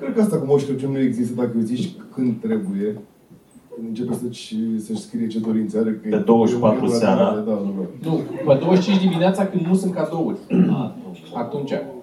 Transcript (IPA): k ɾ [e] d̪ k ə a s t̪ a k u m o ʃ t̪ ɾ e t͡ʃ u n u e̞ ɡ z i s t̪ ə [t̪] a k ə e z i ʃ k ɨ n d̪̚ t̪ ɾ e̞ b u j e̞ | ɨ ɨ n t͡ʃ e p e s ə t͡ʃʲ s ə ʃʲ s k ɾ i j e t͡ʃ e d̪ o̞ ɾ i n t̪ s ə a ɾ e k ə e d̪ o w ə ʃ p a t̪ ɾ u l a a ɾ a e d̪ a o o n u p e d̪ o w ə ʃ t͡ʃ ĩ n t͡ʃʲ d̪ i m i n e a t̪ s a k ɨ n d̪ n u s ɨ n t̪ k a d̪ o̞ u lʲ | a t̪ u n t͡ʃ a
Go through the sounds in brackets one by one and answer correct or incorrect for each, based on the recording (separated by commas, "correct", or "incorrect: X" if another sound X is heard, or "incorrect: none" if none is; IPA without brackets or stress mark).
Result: correct, incorrect: d̪